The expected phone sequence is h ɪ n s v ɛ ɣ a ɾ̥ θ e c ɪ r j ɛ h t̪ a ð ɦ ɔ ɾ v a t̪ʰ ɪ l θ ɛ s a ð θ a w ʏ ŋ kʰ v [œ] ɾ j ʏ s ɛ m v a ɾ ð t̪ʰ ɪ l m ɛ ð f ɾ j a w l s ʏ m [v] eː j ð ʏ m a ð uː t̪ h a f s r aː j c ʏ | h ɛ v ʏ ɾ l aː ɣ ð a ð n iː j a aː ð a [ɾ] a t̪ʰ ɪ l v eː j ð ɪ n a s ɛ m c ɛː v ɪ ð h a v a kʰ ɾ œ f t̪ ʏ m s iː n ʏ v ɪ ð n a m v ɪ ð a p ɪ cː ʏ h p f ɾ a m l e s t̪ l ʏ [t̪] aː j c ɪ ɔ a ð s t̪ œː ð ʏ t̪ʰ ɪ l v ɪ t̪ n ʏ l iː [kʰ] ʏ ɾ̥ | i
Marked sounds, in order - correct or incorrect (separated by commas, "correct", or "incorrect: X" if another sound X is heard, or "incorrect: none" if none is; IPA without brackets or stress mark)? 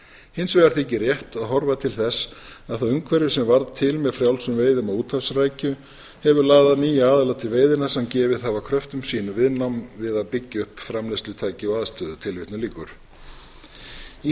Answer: incorrect: ɛ, correct, incorrect: l, incorrect: t̪ʰ, incorrect: k